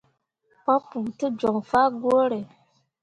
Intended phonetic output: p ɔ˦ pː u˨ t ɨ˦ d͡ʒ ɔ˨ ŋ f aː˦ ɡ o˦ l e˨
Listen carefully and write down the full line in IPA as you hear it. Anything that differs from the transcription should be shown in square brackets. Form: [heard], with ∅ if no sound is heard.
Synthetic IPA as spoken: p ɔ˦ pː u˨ t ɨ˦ d͡ʒ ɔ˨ ŋ f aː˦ ɡ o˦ [ɾ] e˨